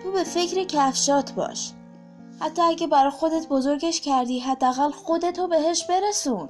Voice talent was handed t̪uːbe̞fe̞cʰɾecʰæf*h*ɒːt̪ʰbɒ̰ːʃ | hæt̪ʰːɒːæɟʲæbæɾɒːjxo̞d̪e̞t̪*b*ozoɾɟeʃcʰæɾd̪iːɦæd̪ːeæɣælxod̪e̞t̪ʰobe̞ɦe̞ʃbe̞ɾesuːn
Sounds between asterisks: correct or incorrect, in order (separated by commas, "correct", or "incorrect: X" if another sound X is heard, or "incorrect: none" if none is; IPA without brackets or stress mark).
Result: incorrect: ʃ, correct